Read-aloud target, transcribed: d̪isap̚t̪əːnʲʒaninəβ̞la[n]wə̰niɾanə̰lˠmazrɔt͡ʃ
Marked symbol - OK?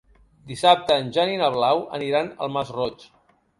no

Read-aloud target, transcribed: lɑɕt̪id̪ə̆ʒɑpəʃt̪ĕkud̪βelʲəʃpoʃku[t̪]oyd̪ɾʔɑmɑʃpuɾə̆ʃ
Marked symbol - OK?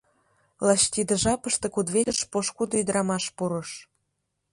no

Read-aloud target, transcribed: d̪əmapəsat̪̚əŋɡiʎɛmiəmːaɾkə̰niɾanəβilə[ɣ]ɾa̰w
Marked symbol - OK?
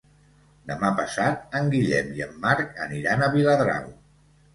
no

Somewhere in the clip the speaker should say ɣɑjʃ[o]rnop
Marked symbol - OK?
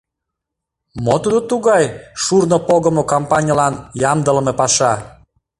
no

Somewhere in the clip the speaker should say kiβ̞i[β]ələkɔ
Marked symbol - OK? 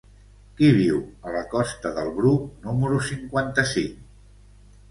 no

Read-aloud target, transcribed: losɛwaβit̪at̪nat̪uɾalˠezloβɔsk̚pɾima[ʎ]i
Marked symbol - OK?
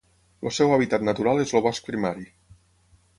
no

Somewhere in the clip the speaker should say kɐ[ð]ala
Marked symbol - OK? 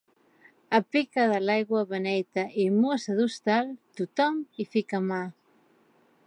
yes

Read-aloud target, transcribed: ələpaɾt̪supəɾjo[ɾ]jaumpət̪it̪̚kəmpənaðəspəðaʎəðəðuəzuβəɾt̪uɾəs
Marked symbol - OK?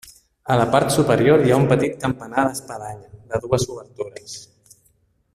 yes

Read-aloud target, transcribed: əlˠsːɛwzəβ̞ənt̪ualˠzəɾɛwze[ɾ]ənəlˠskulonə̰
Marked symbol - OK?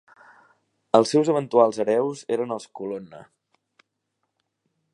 yes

